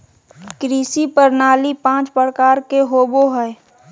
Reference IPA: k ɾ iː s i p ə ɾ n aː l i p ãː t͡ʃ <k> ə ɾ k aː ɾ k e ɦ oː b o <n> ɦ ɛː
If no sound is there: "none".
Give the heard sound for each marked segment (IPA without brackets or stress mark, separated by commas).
p, none